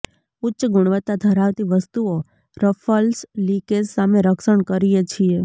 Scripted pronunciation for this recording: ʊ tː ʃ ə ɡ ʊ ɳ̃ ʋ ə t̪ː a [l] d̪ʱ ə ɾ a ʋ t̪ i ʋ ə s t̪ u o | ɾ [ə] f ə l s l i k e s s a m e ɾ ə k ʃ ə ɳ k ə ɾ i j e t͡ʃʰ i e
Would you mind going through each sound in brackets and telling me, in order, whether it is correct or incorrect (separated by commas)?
incorrect, correct